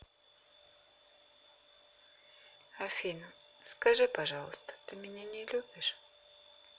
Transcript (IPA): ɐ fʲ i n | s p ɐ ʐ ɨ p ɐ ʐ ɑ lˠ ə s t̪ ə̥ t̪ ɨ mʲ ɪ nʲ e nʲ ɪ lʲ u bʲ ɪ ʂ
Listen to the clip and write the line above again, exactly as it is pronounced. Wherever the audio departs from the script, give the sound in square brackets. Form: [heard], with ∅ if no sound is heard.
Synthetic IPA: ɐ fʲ i n | s [k] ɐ ʐ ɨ p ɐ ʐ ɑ lˠ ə s t̪ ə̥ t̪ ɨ mʲ ɪ nʲ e nʲ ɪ lʲ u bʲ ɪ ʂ